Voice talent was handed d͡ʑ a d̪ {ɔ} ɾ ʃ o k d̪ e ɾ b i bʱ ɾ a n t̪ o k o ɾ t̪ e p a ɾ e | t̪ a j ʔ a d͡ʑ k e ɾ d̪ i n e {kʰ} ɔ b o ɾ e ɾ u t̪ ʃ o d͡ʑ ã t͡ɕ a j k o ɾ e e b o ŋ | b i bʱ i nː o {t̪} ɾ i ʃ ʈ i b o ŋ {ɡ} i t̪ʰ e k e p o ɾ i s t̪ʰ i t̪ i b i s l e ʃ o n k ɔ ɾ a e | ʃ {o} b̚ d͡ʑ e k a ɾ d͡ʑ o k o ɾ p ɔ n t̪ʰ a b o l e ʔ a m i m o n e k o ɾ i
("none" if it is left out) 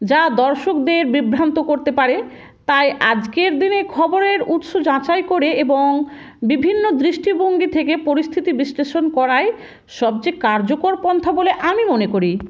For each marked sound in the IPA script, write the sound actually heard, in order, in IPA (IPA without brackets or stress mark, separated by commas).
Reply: ɔ, kʰ, d̪, ɡ, ɔ